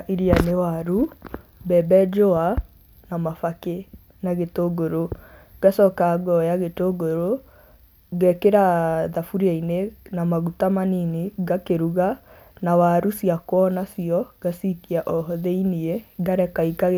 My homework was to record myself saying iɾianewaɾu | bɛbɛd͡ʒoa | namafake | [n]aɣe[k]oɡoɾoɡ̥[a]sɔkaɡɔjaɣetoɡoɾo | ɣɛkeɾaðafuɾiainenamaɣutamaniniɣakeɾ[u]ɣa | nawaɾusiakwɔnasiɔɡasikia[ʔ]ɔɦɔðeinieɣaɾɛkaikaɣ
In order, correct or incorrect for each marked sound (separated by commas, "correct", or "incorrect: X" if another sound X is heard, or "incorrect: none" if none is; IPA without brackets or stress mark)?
correct, incorrect: t, correct, correct, correct